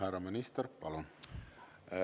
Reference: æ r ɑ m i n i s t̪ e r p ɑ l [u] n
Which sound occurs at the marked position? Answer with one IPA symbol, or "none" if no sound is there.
o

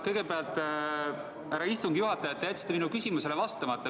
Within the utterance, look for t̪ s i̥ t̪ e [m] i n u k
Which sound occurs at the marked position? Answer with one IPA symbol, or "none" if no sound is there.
m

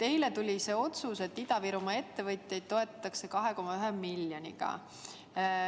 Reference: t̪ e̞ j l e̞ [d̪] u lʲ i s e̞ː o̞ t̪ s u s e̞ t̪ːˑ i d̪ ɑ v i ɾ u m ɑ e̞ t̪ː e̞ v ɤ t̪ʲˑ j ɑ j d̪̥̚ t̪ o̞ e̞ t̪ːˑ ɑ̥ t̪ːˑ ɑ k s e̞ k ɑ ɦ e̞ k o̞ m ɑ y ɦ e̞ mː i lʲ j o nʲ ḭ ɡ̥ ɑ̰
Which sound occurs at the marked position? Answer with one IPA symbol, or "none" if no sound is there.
t̪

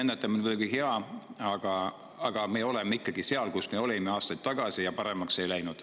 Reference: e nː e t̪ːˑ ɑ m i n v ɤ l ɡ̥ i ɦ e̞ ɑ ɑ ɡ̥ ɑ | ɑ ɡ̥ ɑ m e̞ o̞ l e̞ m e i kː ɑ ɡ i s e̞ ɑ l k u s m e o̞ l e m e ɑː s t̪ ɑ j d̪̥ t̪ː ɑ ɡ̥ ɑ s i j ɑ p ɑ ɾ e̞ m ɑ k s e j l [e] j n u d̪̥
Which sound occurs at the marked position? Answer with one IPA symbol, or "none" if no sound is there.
æ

